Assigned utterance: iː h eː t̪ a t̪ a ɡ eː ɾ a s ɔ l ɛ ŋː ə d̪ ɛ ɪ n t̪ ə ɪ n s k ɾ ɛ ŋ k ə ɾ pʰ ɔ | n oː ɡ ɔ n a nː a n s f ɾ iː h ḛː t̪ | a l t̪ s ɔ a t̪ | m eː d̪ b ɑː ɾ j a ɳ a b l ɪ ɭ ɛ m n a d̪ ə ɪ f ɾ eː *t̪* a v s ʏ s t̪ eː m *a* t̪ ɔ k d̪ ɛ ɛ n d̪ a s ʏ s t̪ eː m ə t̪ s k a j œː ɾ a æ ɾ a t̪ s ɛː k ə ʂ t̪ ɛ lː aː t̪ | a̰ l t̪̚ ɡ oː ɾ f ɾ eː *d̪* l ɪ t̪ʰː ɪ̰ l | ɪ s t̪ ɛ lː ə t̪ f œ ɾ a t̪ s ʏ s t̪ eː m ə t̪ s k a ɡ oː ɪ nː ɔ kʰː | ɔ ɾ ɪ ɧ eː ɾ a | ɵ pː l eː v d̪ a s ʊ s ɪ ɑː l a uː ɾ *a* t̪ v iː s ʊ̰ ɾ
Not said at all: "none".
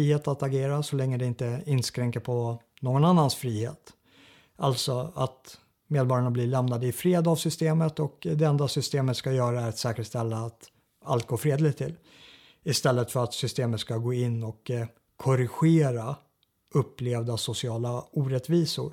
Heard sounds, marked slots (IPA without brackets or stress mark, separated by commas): d̪, ə, d̪, ɛ